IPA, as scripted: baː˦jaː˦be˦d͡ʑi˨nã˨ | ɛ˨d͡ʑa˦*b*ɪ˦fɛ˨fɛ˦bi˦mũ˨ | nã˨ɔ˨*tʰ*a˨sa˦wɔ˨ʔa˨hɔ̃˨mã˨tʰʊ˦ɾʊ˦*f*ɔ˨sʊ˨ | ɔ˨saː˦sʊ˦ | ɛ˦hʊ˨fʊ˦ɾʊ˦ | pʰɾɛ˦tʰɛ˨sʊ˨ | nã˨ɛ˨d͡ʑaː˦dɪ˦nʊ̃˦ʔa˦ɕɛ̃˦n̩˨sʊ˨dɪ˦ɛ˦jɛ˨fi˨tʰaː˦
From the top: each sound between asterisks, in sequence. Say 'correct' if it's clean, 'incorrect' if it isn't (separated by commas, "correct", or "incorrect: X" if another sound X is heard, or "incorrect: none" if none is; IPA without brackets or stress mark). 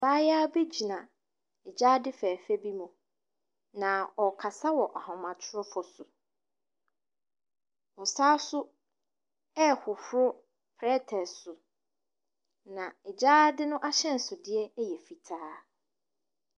incorrect: d, incorrect: kʰ, correct